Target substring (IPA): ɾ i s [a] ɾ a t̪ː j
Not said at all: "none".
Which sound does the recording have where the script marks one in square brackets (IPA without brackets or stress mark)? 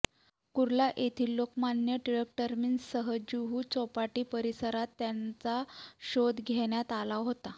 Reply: ə